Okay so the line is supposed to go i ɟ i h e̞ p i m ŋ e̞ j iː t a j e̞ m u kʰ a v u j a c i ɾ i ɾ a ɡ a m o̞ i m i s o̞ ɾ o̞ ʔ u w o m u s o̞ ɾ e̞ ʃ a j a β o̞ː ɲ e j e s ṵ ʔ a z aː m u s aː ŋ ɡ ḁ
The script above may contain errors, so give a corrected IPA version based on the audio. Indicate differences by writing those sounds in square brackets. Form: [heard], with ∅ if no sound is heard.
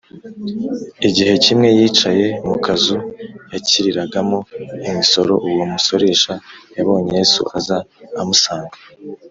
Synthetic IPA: i ɟ i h e̞ [c] i m ŋ e̞ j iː [t͡ʃ] a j e̞ m u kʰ a [z] u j a c i ɾ i ɾ a ɡ a m o̞ i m i s o̞ ɾ o̞ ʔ u w o m u s o̞ ɾ e̞ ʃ a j a β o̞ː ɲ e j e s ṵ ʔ a z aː m u s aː ŋ ɡ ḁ